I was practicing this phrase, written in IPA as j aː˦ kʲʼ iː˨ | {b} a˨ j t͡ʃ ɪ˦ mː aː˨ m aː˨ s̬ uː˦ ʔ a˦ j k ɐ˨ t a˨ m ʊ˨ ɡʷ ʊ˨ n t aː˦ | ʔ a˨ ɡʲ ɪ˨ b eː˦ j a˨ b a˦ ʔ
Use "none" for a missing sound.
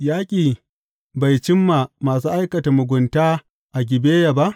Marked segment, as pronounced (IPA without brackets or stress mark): b